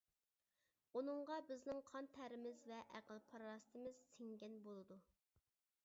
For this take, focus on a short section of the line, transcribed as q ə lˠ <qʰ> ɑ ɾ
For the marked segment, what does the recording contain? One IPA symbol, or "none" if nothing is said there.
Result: pʰ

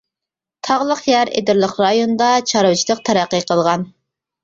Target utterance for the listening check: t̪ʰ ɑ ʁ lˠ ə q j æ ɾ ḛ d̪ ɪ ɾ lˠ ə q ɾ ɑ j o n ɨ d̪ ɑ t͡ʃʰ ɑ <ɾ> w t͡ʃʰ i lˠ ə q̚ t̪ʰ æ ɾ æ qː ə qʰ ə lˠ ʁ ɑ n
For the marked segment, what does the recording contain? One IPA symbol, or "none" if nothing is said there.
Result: ɾ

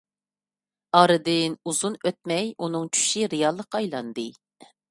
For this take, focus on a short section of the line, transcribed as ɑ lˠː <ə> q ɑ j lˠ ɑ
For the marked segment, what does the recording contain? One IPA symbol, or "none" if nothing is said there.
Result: ə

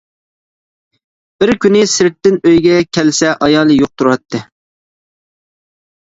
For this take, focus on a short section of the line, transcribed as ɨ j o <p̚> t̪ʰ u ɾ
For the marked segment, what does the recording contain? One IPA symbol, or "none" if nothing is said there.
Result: q̚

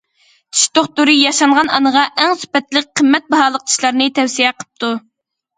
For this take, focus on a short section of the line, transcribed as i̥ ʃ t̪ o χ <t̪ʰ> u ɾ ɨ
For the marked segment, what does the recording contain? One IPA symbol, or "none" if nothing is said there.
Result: t̪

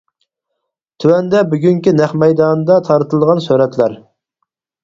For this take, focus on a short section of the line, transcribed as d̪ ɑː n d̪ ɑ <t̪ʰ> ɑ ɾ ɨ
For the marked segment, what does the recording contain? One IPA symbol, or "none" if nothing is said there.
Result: t̪ʰ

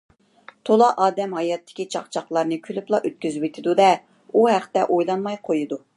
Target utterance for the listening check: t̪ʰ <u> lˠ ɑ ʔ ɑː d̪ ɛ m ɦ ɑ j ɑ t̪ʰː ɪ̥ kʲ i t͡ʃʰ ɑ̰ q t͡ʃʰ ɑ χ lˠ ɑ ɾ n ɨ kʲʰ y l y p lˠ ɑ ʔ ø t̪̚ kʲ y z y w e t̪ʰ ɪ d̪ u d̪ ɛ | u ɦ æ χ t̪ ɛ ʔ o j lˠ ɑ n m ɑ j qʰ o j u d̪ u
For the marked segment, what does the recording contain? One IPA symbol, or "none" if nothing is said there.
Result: o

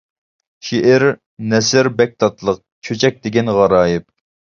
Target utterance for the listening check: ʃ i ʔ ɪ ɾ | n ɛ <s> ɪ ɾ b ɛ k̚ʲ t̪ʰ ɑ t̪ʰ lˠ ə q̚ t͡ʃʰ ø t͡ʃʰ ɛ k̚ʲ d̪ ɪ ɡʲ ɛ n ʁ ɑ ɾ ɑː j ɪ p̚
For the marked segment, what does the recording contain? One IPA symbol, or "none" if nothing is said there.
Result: s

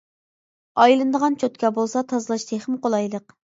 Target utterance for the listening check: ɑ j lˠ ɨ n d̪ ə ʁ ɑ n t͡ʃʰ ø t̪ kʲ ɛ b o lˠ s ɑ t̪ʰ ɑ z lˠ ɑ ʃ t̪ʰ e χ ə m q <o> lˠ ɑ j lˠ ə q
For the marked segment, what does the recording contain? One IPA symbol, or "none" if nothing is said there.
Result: o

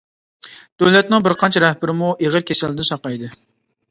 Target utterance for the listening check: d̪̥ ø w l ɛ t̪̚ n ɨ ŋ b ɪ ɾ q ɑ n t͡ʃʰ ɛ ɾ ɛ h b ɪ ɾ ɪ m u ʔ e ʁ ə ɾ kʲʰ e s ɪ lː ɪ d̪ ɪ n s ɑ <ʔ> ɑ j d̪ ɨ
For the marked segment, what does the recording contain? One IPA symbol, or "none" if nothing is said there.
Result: q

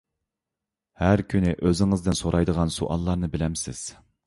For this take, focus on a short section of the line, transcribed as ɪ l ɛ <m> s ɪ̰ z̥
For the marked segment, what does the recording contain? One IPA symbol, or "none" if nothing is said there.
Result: m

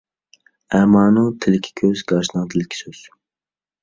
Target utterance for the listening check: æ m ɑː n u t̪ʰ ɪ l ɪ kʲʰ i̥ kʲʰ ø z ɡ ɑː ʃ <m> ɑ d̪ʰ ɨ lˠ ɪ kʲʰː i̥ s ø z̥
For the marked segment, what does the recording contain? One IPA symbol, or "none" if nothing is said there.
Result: n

